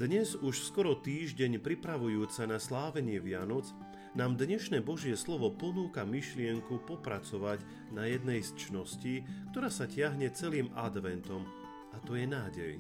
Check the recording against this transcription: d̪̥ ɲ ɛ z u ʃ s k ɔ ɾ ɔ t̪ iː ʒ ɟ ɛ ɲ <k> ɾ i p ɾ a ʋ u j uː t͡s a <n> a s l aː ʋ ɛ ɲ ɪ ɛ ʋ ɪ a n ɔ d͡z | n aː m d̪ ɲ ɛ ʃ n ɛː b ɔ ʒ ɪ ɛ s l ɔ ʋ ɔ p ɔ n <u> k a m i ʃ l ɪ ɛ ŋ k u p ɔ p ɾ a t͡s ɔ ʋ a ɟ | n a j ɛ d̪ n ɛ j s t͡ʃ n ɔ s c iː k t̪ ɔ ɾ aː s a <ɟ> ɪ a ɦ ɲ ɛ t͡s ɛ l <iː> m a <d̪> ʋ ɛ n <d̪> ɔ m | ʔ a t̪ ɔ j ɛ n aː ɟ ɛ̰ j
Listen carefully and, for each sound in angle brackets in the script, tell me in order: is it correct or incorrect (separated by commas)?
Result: incorrect, correct, incorrect, incorrect, correct, correct, incorrect